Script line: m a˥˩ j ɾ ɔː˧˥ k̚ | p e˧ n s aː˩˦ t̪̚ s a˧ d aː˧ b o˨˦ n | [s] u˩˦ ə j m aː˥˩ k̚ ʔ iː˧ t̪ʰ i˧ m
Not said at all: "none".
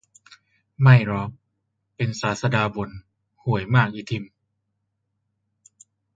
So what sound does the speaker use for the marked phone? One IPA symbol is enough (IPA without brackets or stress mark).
h